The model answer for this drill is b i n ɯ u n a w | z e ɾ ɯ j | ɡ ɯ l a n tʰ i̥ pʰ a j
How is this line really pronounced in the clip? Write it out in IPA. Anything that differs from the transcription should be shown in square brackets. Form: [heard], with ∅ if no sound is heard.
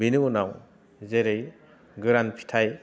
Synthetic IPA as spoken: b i n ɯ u n a w | z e ɾ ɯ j | ɡ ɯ [ɾ] a n [pʰ] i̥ [tʰ] a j